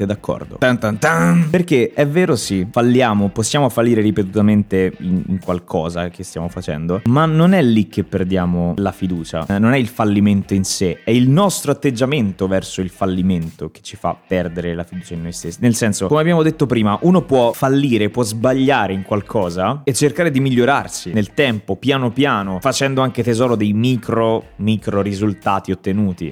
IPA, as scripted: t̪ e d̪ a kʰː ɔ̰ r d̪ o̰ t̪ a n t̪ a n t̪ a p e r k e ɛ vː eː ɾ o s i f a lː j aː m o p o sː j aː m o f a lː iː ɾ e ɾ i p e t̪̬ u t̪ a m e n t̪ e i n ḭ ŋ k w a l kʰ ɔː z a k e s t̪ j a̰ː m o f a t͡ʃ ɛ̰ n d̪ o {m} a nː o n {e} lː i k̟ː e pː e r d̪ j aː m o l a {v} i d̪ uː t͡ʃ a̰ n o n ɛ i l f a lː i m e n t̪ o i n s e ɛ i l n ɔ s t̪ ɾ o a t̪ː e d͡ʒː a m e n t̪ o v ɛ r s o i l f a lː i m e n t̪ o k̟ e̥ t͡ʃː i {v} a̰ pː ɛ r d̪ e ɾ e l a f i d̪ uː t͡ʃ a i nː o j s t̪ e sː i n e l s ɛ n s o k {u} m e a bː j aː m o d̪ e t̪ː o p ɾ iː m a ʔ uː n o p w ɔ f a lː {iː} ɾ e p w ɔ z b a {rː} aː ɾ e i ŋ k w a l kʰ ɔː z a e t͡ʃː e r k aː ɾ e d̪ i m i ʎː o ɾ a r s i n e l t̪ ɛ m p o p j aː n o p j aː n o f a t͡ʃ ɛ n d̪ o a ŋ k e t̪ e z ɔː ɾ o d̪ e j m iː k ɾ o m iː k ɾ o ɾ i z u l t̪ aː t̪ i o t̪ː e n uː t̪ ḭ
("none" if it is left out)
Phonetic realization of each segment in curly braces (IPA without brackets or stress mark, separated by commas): m, ɛ, f, f, o, iː, ʎː